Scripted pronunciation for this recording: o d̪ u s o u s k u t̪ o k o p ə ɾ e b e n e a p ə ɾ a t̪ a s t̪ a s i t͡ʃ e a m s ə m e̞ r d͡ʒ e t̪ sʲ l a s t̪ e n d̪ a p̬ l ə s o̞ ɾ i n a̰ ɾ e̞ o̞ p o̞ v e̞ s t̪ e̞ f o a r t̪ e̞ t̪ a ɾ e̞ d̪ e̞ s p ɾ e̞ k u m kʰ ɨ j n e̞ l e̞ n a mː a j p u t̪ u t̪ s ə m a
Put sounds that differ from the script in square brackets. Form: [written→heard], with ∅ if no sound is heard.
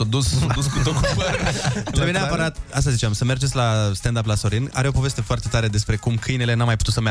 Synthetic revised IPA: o d̪ u s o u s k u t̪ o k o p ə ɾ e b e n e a p ə ɾ a t̪ a s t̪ a [s→z] i t͡ʃ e a m s ə m e̞ r d͡ʒ e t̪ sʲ l a s t̪ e n d̪ a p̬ l [ə→a] s o̞ ɾ i n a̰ ɾ e̞ o̞ p o̞ v e̞ s t̪ e̞ f o a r t̪ e̞ t̪ a ɾ e̞ d̪ e̞ s p ɾ e̞ k u m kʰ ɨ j n e̞ l e̞ n a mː a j p u t̪ u t̪ s ə m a